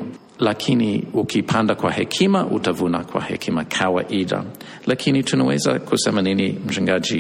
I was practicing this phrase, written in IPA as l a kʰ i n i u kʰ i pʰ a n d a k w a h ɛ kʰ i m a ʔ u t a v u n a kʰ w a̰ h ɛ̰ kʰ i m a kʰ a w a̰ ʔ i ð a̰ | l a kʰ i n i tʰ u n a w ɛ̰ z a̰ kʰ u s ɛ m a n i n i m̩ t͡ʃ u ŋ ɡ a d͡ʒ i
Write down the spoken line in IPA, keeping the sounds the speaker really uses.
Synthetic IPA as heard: l a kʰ i n i u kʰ i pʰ a n d a k w a h ɛ kʰ i m a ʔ u t a v u n a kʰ w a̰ h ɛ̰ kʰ i m a kʰ a w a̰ ʔ i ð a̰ | l a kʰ i n i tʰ u n a w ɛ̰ z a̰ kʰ u s ɛ m a n i n i m̩ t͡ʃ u ŋ ɡ a d͡ʒ i